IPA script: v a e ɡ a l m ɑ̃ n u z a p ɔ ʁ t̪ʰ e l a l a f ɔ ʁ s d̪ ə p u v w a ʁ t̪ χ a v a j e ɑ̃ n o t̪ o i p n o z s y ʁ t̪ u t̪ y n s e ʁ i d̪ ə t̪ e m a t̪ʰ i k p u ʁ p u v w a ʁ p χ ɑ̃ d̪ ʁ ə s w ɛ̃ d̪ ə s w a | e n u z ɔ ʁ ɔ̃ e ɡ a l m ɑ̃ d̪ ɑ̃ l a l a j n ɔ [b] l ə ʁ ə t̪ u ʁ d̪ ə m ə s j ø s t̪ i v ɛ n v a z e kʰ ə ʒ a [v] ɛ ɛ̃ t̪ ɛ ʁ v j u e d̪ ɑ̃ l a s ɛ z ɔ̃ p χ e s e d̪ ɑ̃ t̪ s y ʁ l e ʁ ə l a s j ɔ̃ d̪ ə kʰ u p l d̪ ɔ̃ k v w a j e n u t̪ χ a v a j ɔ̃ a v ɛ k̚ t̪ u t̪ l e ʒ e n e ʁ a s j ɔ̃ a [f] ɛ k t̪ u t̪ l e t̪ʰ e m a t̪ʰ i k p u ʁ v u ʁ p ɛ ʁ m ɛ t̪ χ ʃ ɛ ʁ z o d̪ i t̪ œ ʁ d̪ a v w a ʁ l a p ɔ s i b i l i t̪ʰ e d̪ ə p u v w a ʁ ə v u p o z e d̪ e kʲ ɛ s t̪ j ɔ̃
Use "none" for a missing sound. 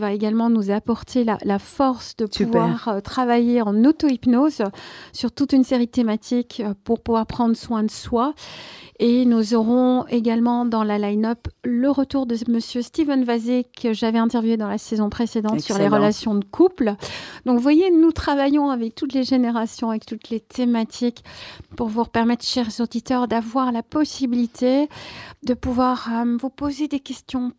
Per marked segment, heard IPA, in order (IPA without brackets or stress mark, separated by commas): p, v, v